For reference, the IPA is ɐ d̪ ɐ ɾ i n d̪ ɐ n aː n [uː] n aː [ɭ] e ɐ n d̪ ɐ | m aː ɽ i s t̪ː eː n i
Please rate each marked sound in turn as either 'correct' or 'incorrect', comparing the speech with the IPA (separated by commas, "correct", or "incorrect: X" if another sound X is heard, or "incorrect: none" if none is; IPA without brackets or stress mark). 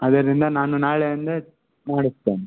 incorrect: u, correct